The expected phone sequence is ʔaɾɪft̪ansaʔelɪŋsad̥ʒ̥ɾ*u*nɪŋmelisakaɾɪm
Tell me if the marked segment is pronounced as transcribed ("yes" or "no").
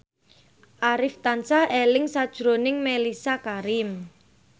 no